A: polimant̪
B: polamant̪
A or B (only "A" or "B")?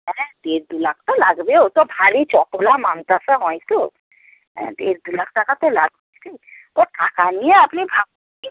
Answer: B